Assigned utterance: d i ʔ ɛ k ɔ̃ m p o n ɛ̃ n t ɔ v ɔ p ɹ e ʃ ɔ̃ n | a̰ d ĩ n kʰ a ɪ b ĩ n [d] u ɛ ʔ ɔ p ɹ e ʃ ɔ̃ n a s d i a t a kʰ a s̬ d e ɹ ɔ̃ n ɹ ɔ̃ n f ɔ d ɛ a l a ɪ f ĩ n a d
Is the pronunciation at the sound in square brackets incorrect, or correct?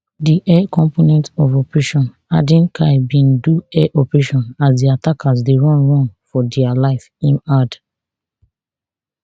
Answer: correct